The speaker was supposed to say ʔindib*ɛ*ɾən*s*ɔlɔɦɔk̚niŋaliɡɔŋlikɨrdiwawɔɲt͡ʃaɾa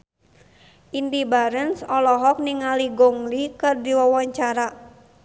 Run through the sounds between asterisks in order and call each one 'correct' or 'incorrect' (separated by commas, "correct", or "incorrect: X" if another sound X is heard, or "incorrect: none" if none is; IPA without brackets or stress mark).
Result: incorrect: a, correct